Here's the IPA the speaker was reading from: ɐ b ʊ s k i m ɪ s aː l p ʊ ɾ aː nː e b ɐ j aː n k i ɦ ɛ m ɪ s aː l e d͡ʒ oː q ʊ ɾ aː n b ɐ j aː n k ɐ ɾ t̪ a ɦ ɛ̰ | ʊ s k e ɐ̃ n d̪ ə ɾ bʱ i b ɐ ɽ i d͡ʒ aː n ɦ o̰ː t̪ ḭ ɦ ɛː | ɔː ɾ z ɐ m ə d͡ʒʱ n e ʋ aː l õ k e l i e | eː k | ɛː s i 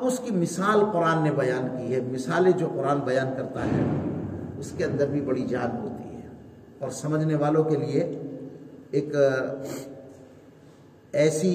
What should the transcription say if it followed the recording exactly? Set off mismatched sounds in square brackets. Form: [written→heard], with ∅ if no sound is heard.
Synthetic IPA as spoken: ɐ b ʊ s k i m ɪ s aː l [p→q] ʊ ɾ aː nː e b ɐ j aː n k i ɦ ɛ m ɪ s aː l e d͡ʒ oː q ʊ ɾ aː n b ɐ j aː n k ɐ ɾ t̪ a ɦ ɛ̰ | ʊ s k e ɐ̃ n d̪ ə ɾ bʱ i b ɐ ɽ i d͡ʒ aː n ɦ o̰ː t̪ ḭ ɦ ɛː | ɔː ɾ [z→s] ɐ m ə d͡ʒʱ n e ʋ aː l õ k e l i e | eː k | ɛː s i